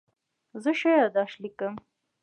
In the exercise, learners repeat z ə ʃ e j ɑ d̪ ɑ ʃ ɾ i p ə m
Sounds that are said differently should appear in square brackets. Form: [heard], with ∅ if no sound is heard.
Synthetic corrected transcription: z ə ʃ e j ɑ d̪ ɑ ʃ [l] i [k] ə m